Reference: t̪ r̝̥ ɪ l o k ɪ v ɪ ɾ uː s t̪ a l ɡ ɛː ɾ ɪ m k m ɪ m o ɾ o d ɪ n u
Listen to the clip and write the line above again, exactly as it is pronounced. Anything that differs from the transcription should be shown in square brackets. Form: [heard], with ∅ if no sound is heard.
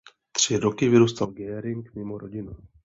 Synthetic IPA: t̪ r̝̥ ɪ [ɾ] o k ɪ v ɪ ɾ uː s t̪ a l ɡ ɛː ɾ ɪ [ŋ] k m ɪ m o ɾ o [ɟ] ɪ n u